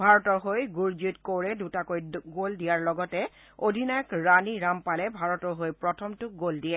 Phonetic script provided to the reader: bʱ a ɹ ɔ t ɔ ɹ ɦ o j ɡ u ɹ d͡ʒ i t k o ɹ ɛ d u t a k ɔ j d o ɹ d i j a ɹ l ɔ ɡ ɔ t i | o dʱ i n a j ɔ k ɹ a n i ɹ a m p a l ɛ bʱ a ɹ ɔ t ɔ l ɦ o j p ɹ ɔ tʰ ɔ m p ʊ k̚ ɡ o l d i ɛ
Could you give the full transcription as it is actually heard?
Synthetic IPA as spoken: bʱ a ɹ ɔ t ɔ ɹ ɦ o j ɡ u ɹ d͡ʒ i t k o ɹ ɛ d u t a k o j ɡ o l d i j a ɹ l ɔ ɡ ɔ t ɛ | o dʱ i n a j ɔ k ɹ a n i ɹ a m p a l ɛ bʱ a ɹ ɔ t ɔ ɹ ɦ o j p ɹ ɔ tʰ ɔ m t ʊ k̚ ɡ o l d i ɛ

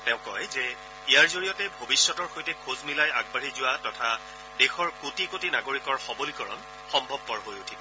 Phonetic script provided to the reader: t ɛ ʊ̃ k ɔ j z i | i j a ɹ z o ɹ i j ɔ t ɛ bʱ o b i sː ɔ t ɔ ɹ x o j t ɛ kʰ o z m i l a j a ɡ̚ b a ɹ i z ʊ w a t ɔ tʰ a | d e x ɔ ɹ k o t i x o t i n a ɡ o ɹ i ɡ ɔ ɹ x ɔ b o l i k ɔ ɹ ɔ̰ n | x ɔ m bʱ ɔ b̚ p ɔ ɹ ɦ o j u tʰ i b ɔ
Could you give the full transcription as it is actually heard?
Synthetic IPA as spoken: t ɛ ʊ̃ k ɔ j z ɛ | i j a ɹ z o ɹ i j ɔ t ɛ bʱ o b i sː ɔ t ɔ ɹ x o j t ɛ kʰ o z m i l a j a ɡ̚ b a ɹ i z ʊ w a t ɔ tʰ a | d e x ɔ ɹ k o t i k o t i n a ɡ o ɹ i k ɔ ɹ x ɔ b o l i k ɔ ɹ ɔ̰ n | x ɔ m bʱ ɔ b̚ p ɔ ɹ ɦ o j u tʰ i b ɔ

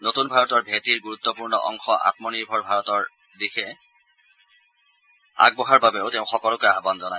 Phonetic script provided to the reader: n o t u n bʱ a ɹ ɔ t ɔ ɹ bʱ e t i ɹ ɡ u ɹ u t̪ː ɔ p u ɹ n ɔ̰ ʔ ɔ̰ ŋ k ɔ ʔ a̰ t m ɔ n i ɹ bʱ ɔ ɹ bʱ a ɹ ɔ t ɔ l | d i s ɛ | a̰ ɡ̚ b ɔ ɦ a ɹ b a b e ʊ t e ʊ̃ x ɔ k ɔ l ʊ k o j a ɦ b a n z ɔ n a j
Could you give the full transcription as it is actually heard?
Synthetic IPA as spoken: n o t u n bʱ a ɹ ɔ t ɔ ɹ bʱ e t i ɹ ɡ u ɹ u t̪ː ɔ p u ɹ n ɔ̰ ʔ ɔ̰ ŋ x ɔ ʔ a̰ t m ɔ n i ɹ bʱ ɔ ɹ bʱ a ɹ ɔ t ɔ ɹ | d i x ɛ | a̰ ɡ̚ b ɔ ɦ a ɹ b a b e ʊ t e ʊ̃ x ɔ k ɔ l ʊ k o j a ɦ b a n z ɔ n a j

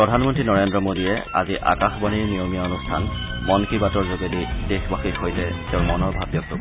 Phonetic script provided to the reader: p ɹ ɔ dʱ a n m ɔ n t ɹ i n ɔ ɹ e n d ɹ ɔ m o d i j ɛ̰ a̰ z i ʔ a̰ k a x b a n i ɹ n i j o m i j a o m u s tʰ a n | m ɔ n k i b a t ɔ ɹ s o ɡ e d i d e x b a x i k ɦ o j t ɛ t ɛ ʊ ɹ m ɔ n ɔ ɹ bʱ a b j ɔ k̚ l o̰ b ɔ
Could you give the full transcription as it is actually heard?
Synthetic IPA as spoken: p ɹ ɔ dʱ a n m ɔ n t ɹ i n ɔ ɹ e n d ɹ ɔ m o d i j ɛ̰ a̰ z i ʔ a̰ k a x b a n i ɹ n i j o m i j a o n u s tʰ a n | m ɔ n k i b a t ɔ ɹ z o ɡ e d i d e x b a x i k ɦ o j t ɛ t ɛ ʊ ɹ m ɔ n ɔ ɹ bʱ a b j ɔ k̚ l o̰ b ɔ

